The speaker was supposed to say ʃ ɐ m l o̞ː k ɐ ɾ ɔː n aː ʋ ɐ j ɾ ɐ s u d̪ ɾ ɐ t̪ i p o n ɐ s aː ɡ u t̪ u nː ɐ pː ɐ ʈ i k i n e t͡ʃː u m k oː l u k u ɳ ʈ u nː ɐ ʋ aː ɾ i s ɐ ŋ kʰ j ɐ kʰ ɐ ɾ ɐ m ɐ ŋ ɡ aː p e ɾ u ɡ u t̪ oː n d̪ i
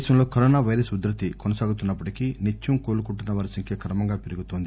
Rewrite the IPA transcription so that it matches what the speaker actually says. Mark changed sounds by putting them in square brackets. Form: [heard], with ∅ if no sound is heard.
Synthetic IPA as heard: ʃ ɐ m l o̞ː k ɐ ɾ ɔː n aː ʋ ɐ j ɾ ɐ s u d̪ ɾ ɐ t̪ i [k] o n ɐ s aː ɡ u t̪ u nː ɐ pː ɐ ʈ i k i n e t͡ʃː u m k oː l u k u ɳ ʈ u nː ɐ ʋ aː ɾ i s ɐ ŋ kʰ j ɐ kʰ ɐ ɾ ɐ m ɐ ŋ ɡ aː p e ɾ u ɡ u t̪ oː n d̪ i